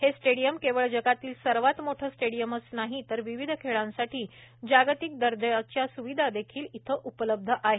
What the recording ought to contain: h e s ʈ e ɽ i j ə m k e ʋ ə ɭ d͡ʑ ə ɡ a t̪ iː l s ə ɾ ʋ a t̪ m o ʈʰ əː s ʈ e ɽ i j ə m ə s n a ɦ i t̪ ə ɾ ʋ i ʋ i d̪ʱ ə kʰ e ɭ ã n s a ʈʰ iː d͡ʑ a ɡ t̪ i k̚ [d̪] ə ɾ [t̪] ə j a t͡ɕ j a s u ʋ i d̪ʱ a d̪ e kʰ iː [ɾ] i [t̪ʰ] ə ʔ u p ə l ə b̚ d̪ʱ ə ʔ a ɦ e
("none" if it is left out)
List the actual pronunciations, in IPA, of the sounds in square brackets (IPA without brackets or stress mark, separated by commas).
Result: d̪, d̪, l, t̪ʰ